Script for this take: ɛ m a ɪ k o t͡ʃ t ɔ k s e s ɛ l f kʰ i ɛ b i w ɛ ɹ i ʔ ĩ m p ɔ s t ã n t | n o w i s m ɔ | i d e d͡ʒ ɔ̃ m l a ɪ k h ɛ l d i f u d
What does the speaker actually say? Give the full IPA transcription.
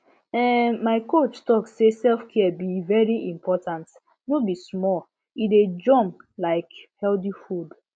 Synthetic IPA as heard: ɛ m a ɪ k o t͡ʃ t ɔ k s e s ɛ l f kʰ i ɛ b i v ɛ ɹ i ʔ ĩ m p ɔ t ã n t | n o b i s m ɔ | i d e d͡ʒ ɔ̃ m l a ɪ k h ɛ l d i f u d

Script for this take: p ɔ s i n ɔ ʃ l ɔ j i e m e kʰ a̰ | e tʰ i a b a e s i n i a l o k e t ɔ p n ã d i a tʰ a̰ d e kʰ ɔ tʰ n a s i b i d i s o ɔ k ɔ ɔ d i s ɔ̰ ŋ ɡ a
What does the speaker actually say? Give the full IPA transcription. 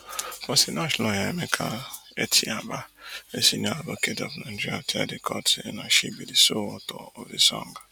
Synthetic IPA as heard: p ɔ s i n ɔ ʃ l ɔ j a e m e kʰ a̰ | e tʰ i a b a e s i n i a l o k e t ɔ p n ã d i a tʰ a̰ d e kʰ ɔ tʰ n a ʃ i b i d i s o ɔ t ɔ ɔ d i s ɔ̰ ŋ ɡ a

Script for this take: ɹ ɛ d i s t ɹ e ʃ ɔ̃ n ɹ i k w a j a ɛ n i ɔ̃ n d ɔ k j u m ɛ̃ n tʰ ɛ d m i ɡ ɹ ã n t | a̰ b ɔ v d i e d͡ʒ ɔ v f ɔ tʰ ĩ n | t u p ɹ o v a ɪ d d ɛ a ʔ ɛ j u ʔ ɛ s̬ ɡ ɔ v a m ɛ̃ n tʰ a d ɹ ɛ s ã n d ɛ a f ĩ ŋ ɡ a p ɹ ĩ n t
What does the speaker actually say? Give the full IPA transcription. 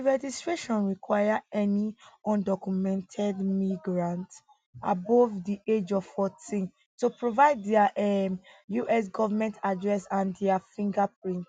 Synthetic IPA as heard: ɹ ɛ d͡ʒ i s t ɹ e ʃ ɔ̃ n ɹ i k w a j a ɛ n i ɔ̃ n d ɔ k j u m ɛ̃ n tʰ ɛ d m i ɡ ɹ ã n t | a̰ b ɔ v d i e d͡ʒ ɔ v f ɔ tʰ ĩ n | t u p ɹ o v a ɪ d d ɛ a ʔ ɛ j u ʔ ɛ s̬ ɡ ɔ v a m ɛ̃ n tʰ a d ɹ ɛ s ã n d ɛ a f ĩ ŋ ɡ a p ɹ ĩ n t

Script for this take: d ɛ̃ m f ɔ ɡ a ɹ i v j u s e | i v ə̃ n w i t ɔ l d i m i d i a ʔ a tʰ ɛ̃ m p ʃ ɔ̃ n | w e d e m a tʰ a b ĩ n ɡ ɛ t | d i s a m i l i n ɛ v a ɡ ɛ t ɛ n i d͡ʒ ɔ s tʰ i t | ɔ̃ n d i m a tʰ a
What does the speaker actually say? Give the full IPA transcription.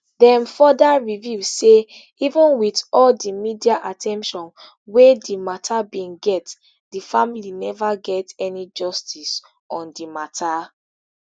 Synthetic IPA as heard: d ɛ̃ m f ɔ d a ɹ i v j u s e | i v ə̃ n w i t ɔ l d i m i d i a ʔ a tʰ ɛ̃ m p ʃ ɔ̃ n | w e d i m a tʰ a b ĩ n ɡ ɛ t | d i f a m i l i n ɛ v a ɡ ɛ t ɛ n i d͡ʒ ɔ s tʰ i s | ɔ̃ n d i m a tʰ a

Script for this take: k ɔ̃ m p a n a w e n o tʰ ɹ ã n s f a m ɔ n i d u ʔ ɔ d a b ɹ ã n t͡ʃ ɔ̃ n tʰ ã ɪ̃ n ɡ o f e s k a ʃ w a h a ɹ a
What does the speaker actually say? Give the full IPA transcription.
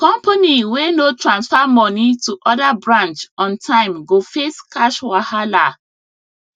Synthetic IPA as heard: k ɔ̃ m p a n i w e n o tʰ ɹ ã n s f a m ɔ n i t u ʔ ɔ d a b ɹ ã n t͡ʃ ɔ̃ n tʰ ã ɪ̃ m ɡ o f e s k a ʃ w a h a l a

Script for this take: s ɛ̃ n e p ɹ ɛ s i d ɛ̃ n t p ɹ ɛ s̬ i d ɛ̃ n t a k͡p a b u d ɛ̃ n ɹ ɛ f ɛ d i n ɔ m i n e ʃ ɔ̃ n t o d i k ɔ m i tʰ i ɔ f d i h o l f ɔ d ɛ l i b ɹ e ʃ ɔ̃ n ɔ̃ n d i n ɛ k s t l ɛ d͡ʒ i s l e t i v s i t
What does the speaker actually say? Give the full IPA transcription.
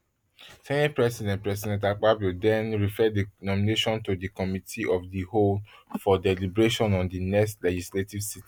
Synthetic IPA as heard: s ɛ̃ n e p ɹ ɛ s i d ɛ̃ n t p ɹ ɛ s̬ i d ɛ̃ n t a k͡p a b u d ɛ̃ n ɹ i f ɛ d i n ɔ m i n e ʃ ɔ̃ n t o d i k ɔ m i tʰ i ɔ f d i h o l f ɔ d ɛ l i b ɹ e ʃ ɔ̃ n ɔ̃ n d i n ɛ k s t l ɛ d͡ʒ i s l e t i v s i t

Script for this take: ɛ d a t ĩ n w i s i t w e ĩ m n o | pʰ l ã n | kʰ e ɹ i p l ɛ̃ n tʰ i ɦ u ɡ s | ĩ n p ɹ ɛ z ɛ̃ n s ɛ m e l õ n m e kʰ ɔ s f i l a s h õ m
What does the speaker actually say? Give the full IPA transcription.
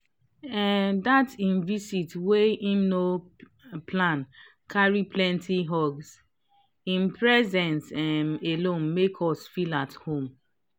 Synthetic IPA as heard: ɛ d a t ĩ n v i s i t w e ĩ m n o | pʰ l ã n | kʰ a ɹ i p l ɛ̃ n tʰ i ɦ ɔ ɡ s | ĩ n p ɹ ɛ z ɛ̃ n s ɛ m e l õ n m e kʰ ɔ s f i l a t h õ m

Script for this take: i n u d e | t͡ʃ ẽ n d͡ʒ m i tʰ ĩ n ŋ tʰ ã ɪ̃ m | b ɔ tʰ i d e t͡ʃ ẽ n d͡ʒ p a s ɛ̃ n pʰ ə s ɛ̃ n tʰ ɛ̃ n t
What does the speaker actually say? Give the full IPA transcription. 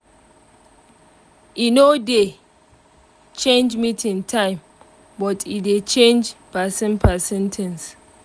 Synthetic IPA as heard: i n o d e | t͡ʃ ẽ n d͡ʒ m i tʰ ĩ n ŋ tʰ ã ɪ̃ m | b ɔ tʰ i d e t͡ʃ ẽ n d͡ʒ p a s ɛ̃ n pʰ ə s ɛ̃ n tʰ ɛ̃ n s

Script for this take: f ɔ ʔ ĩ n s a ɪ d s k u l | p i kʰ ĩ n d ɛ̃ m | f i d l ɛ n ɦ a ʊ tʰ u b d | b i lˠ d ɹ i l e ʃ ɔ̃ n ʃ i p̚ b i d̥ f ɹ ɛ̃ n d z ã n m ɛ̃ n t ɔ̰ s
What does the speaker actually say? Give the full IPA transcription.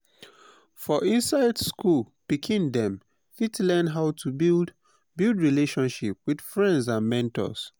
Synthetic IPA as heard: f ɔ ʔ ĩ n s a ɪ d s k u l | p i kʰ ĩ n d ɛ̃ m | f i t l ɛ n ɦ a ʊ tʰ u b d | b i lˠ d ɹ i l e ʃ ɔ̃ n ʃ i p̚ w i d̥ f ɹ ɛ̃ n d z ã n m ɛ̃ n t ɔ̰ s

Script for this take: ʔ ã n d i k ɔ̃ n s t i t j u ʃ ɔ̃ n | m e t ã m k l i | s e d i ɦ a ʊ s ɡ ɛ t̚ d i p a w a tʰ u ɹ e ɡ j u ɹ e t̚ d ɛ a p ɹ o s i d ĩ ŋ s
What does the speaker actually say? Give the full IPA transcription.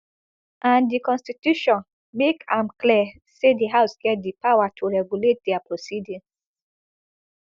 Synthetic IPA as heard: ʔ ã n d i k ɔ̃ n s t i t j u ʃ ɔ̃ n | m e k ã m k l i | s e d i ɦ a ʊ s ɡ ɛ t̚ d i p a w a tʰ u ɹ ɛ ɡ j u l e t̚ d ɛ a p ɹ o s i d ĩ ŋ s

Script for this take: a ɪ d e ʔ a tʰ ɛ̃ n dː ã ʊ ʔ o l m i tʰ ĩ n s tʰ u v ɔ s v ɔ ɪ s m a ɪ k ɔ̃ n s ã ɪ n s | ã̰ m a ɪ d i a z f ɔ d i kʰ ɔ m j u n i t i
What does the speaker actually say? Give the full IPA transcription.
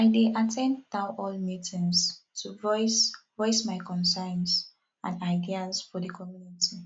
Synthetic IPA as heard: a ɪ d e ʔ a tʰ ɛ̃ n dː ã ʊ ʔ ɔ l m i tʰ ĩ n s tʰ u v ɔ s v ɔ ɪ s m a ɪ k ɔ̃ n s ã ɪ n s | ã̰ n a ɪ d i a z f ɔ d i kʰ ɔ m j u n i t i

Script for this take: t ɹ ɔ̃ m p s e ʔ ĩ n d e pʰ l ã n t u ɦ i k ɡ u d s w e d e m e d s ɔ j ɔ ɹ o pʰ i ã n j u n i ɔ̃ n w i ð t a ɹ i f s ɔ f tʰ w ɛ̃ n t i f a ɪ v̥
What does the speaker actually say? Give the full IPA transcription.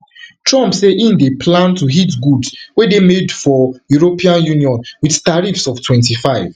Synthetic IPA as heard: t ɹ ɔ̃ m p s e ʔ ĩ n d e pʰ l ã n t u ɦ i t ɡ u d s w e d e m e d f ɔ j u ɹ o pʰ i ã n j u n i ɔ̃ n w i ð t a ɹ i f s ɔ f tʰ w ɛ̃ n t i f a ɪ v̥

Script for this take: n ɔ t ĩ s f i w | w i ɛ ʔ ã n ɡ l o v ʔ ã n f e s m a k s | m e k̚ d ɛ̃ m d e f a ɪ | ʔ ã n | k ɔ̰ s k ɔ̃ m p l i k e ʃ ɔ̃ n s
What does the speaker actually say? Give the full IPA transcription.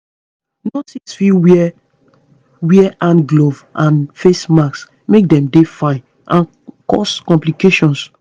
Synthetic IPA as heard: n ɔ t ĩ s f i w | w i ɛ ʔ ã n ɡ l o v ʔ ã n f e s m a k s | m e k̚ d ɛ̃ m d e f a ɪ | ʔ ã n | k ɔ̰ s k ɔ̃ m p l i k e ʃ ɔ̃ n s

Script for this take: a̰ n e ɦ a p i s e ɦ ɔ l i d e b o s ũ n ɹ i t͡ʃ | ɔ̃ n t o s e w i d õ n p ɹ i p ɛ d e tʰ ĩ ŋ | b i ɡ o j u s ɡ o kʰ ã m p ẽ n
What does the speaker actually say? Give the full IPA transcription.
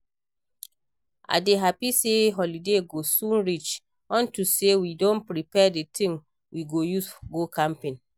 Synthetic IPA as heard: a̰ d e ɦ a p i s e ɦ ɔ l i d e ɡ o s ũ n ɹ i t͡ʃ | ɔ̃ n t u s e w i d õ n p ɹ i p ɛ d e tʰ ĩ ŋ | w i ɡ o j u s ɡ o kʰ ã m p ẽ n

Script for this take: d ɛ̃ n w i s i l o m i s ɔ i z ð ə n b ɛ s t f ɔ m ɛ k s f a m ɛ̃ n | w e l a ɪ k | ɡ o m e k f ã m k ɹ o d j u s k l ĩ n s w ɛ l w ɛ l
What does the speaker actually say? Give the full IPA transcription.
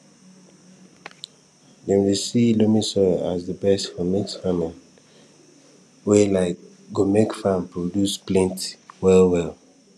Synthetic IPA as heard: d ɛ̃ n w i s i l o m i s ɔ a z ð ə b ɛ s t f ɔ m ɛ k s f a m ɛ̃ n | w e l a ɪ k | ɡ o m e k f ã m p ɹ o d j u s p l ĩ n t w ɛ l w ɛ l

